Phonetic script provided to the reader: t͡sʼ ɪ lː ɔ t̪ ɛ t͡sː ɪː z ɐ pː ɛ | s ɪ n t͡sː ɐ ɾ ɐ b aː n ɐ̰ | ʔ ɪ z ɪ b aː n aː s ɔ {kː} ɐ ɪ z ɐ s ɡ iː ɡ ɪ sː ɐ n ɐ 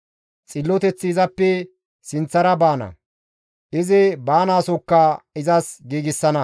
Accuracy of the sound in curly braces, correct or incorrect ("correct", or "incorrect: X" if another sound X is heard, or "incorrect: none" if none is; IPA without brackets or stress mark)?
correct